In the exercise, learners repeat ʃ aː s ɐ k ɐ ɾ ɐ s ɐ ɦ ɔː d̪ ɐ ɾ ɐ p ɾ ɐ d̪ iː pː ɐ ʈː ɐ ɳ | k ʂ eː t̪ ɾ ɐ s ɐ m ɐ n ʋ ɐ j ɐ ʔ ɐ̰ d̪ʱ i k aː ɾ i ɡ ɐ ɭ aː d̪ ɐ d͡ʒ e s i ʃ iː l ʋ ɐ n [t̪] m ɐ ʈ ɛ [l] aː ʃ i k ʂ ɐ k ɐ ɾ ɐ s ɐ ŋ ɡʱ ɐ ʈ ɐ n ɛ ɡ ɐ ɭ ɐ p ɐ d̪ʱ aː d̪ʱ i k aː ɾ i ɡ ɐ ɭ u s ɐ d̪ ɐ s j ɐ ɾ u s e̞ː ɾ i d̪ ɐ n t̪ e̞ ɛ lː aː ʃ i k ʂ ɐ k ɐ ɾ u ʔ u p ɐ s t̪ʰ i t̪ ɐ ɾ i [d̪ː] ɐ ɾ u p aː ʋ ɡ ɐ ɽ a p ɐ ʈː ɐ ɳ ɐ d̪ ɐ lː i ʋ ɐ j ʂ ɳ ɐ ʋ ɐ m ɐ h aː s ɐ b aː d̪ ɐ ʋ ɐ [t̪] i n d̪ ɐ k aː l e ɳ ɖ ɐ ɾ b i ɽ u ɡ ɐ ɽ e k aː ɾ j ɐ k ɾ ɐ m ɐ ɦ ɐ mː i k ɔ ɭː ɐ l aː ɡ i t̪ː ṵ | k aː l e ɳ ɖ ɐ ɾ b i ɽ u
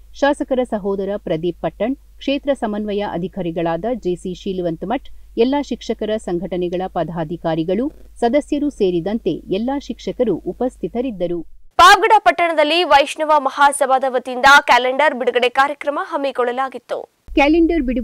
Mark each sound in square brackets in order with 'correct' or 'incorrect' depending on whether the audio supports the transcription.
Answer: correct, incorrect: lː, correct, correct

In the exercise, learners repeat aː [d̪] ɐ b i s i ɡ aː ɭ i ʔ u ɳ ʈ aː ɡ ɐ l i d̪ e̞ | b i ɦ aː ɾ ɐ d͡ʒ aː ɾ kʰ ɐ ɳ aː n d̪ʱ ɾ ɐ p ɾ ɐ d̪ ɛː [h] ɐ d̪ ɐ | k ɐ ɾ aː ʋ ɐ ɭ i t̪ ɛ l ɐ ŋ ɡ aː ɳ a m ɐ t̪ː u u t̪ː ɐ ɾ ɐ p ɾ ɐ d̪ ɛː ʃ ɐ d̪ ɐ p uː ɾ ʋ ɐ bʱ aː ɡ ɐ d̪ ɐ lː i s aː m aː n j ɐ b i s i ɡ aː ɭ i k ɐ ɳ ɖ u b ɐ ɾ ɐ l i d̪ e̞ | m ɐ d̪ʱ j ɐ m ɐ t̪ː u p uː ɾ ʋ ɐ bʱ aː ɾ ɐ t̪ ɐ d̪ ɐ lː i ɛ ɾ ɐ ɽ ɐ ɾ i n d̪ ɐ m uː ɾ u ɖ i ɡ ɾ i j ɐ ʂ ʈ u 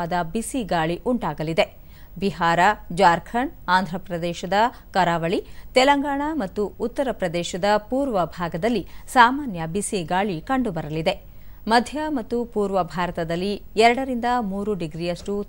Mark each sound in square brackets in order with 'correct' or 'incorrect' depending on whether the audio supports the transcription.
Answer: correct, incorrect: ʃ

